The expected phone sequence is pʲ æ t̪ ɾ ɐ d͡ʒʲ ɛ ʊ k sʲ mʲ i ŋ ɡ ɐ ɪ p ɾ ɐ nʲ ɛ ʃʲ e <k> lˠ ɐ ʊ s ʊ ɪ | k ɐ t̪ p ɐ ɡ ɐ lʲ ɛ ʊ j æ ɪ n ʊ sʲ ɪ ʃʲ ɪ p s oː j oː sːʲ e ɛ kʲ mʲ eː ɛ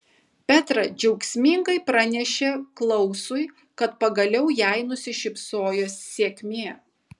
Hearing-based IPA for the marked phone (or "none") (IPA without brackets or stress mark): k